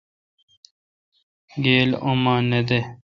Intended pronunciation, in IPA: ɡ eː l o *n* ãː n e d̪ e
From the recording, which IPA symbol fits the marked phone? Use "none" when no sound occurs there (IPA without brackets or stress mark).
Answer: m